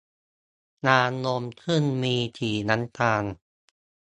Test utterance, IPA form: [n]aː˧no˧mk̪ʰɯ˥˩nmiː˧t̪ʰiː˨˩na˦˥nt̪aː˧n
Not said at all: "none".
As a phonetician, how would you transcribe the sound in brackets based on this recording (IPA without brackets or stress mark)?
n